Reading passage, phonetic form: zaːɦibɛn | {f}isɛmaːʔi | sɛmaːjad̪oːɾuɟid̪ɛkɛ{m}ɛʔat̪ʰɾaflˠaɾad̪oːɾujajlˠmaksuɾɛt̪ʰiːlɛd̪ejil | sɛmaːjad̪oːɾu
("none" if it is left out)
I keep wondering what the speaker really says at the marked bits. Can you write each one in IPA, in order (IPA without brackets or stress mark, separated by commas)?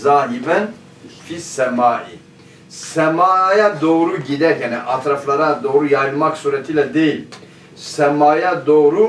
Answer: f, n